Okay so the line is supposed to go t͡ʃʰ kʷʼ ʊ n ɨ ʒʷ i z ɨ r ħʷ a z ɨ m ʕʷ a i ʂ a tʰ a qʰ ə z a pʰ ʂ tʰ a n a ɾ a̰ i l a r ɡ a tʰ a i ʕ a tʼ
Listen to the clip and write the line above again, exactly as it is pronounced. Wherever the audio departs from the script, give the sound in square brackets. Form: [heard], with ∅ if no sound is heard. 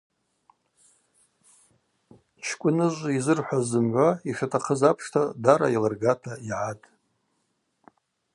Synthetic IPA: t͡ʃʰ kʷʼ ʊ n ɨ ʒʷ i z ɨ r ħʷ a z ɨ m ʕʷ a i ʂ a tʰ a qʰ ə z a pʰ ʂ tʰ a [d] a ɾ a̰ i l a r ɡ a tʰ a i ʕ a tʼ